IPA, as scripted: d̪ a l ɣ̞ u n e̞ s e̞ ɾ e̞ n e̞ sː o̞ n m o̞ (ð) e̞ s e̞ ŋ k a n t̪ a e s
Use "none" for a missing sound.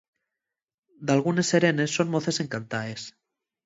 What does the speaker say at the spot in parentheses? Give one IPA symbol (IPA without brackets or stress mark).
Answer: θ